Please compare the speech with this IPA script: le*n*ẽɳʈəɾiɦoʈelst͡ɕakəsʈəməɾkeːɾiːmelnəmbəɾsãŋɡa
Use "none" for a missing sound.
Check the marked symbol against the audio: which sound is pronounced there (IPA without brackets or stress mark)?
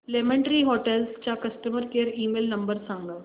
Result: m